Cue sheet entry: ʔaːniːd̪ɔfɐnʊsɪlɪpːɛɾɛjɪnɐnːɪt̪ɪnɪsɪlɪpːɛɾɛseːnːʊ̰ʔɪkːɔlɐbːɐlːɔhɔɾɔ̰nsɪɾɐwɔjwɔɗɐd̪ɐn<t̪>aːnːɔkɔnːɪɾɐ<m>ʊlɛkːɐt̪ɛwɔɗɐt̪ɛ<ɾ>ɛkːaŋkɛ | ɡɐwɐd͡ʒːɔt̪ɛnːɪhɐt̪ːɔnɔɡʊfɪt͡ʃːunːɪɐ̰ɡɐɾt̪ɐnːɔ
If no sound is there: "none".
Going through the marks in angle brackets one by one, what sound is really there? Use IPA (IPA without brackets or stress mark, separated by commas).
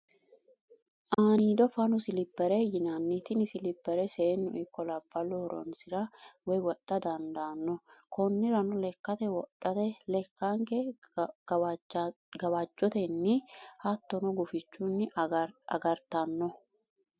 d̪, n, l